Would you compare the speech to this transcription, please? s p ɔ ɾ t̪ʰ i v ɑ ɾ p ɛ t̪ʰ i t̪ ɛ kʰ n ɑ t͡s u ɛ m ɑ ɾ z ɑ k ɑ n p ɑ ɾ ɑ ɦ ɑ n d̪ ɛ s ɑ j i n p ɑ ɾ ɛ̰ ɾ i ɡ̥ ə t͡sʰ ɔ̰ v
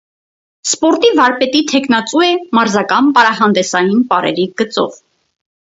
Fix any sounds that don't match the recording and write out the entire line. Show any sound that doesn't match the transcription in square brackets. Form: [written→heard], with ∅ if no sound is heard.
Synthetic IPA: s p ɔ ɾ [t̪ʰ→t̪] i v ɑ ɾ p ɛ [t̪ʰ→t̪] i [t̪→t̪ʰ] ɛ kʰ n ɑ t͡s u ɛ m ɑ ɾ z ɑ k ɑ n p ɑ ɾ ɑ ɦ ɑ n d̪ ɛ s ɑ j i n p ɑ ɾ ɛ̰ ɾ i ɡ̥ ə [t͡sʰ→t͡s] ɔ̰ v